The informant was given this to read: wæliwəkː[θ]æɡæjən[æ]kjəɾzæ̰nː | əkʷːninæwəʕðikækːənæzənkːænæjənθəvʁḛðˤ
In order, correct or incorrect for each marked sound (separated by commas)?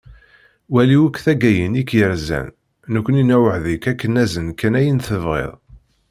correct, incorrect